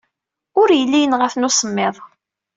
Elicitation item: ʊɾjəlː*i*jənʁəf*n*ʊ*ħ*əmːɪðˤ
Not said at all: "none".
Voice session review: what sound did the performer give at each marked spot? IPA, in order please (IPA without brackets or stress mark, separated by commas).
i, n, s